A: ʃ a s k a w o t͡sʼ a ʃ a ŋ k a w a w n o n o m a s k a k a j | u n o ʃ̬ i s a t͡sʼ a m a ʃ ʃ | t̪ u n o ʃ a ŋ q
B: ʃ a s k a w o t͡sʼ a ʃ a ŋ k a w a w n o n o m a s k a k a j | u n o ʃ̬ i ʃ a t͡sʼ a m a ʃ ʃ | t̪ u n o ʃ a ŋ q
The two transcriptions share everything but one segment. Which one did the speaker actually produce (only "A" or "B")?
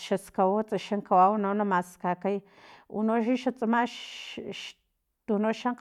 B